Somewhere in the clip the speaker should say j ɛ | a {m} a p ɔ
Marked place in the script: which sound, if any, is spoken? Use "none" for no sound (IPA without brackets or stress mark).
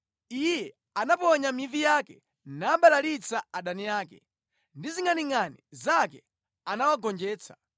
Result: n